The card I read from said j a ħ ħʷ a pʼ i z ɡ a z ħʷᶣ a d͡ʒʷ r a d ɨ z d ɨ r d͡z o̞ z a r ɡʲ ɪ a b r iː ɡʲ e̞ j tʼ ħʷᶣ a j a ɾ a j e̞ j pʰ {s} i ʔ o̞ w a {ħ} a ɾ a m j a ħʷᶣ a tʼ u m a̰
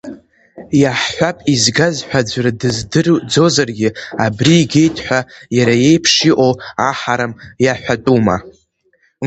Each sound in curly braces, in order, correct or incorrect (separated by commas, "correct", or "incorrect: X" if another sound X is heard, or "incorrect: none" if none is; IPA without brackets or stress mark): incorrect: ʂ, correct